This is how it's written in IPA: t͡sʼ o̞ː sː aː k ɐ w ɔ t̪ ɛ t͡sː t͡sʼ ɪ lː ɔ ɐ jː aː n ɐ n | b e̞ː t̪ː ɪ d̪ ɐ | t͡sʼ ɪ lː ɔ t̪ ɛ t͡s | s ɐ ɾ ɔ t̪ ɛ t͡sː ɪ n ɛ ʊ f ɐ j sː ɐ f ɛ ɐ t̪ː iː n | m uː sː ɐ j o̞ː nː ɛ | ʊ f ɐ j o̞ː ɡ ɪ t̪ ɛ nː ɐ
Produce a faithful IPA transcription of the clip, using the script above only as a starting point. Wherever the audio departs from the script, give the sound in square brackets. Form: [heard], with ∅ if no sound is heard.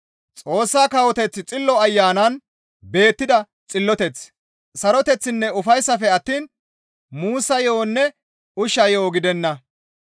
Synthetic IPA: t͡sʼ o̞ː sː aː k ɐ w ɔ t̪ ɛ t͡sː t͡sʼ ɪ lː ɔ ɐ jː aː n ɐ n | b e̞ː t̪ː ɪ d̪ ɐ | t͡sʼ ɪ lː ɔ t̪ ɛ t͡s | s ɐ ɾ ɔ t̪ ɛ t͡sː ɪ [nː] ɛ ʊ f ɐ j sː ɐ f ɛ ɐ t̪ː iː n | m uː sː ɐ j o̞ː nː ɛ | ʊ [ʃ] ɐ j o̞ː ɡ ɪ [d̪] ɛ nː ɐ